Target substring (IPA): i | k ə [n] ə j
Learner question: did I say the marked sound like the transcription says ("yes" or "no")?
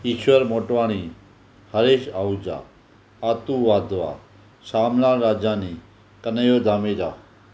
yes